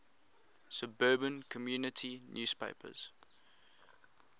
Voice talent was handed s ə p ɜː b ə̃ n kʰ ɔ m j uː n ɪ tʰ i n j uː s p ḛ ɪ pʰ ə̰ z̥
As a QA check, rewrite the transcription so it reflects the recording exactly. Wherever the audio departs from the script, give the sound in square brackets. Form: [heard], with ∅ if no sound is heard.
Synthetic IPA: s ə [b] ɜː b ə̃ n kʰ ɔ m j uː n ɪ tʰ i n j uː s p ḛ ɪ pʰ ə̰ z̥

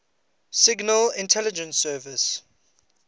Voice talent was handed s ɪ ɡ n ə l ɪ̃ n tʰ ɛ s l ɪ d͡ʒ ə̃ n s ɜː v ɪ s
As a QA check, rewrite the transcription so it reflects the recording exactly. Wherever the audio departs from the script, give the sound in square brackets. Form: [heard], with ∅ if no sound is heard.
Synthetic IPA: s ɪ ɡ n ə l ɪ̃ n tʰ ɛ [∅] l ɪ d͡ʒ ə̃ n s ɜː v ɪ s

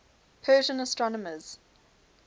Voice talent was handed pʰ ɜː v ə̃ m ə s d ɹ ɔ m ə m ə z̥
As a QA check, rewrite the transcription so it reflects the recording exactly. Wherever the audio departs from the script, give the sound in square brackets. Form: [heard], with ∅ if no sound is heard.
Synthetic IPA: pʰ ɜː [ʒ] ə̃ [n] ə s [t] ɹ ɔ [n] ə m ə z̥

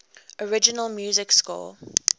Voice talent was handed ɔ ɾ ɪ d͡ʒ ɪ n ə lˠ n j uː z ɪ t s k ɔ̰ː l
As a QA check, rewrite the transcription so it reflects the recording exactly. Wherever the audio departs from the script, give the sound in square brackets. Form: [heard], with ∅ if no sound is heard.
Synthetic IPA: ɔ [ɹ] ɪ d͡ʒ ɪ n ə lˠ [m] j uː z ɪ [k] s k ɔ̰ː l

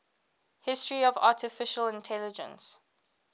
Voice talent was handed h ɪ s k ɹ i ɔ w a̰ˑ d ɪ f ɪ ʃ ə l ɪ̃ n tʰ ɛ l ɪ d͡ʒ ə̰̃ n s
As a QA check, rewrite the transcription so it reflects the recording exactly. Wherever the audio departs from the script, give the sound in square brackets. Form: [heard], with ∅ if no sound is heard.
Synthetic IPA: h ɪ s [t] ɹ i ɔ [v] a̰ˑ [t] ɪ f ɪ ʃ ə l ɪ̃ n tʰ ɛ l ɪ d͡ʒ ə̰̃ n s

